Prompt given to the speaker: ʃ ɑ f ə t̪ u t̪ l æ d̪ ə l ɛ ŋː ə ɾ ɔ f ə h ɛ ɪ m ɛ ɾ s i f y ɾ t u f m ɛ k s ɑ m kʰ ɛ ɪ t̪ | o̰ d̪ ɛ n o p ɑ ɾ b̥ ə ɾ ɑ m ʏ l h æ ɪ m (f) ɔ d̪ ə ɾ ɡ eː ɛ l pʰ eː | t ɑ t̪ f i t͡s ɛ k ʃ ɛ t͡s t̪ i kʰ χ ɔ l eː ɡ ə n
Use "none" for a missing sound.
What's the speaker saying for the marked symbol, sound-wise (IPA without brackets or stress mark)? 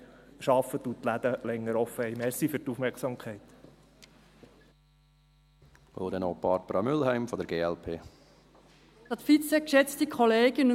f